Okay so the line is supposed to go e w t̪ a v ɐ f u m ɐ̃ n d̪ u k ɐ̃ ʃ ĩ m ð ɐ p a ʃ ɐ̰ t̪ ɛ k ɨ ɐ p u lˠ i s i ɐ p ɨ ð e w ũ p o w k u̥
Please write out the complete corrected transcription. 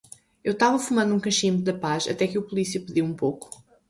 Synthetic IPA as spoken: e w t̪ a v ɐ f u m ɐ̃ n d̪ ũ k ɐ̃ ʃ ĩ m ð ɐ p a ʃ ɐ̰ t̪ ɛ k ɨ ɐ p u lˠ i s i ɐ p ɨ ð i w ũ p o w k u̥